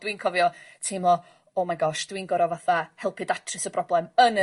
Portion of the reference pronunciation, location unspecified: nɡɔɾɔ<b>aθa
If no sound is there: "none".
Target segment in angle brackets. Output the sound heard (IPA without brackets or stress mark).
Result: v